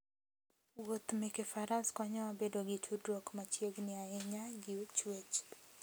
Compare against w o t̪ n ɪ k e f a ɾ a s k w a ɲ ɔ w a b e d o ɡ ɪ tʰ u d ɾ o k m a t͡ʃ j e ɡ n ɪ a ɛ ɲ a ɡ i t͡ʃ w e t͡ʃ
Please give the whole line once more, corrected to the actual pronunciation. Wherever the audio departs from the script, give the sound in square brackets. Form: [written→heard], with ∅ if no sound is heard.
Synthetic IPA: w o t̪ [n→m] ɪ k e f a ɾ a s k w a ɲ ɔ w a b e d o ɡ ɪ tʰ u d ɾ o k m a t͡ʃ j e ɡ n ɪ a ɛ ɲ a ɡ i t͡ʃ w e t͡ʃ